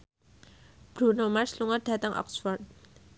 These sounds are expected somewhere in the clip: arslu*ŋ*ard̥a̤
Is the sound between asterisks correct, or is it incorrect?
correct